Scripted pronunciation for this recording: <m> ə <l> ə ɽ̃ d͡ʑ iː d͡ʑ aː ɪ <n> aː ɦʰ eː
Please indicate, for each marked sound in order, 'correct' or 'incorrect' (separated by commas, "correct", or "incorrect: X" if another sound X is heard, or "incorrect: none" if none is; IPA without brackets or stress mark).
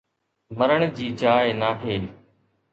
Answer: correct, incorrect: ɾ, correct